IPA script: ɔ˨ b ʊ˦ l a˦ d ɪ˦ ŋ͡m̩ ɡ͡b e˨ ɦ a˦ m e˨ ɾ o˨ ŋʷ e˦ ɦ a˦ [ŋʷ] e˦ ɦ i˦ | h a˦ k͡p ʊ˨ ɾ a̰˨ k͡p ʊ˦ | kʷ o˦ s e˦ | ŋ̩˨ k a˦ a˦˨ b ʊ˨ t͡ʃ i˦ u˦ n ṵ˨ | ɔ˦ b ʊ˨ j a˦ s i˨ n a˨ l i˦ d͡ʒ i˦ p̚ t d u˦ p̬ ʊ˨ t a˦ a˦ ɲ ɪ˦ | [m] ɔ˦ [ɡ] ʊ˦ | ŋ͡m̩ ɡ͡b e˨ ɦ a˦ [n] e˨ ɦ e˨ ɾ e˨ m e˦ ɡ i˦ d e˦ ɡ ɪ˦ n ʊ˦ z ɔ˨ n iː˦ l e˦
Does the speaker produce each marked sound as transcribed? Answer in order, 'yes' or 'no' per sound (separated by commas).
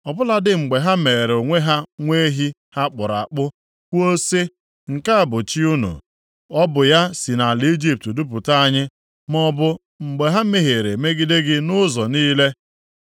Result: yes, yes, no, no